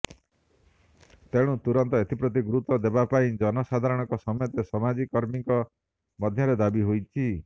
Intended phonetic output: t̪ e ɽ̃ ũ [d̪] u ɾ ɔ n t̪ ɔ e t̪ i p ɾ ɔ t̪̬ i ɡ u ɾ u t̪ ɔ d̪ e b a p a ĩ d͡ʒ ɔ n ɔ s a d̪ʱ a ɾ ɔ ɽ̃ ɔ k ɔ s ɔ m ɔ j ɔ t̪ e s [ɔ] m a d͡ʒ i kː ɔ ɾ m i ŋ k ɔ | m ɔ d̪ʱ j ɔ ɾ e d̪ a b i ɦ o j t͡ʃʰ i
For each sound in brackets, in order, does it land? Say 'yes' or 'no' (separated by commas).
no, yes